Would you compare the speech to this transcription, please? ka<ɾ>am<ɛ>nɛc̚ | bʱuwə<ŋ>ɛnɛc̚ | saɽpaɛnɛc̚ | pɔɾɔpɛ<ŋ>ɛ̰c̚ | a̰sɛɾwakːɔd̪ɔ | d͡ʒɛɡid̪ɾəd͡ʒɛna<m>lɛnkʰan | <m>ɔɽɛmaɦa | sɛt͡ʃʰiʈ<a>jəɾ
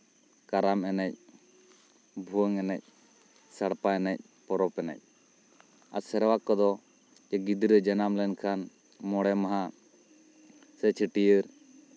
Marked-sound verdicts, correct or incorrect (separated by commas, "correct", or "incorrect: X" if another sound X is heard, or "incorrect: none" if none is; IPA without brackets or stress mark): correct, correct, correct, incorrect: n, correct, correct, incorrect: i